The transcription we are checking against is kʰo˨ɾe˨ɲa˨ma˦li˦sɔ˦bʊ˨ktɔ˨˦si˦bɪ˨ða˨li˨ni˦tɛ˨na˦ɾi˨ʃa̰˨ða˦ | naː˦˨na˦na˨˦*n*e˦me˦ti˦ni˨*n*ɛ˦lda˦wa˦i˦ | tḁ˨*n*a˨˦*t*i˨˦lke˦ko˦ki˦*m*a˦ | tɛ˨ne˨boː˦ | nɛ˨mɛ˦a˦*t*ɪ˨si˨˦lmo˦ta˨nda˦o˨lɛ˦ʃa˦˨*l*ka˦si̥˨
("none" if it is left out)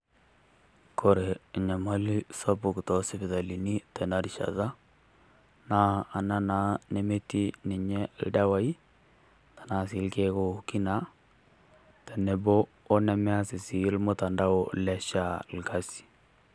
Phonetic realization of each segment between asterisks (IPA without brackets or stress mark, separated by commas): n, ɲ, n, s, n, s, l